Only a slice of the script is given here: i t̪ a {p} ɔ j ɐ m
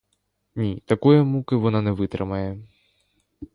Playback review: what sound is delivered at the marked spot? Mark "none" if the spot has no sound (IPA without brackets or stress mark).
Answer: k